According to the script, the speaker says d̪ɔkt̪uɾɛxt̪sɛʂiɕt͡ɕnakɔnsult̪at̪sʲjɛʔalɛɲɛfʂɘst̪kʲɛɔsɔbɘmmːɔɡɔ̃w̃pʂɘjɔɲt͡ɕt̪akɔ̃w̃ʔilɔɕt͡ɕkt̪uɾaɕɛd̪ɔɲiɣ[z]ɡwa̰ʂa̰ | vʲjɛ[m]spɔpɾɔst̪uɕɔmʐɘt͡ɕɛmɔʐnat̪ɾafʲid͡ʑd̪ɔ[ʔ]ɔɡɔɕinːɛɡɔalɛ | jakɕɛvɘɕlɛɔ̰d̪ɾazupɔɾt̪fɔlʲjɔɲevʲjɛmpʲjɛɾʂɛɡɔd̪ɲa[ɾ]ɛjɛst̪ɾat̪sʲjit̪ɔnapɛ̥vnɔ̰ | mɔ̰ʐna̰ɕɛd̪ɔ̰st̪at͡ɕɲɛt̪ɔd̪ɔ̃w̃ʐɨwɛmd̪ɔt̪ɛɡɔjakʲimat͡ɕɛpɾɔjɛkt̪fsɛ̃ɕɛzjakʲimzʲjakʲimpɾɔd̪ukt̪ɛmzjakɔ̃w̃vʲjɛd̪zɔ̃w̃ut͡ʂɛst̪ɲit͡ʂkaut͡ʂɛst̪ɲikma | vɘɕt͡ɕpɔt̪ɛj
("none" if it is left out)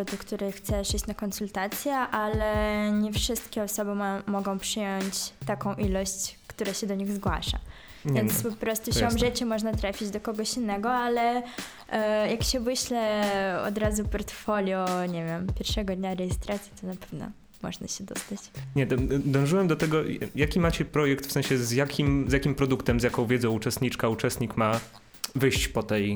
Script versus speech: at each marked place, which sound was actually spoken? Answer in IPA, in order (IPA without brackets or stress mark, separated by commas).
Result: z, n, k, ɾ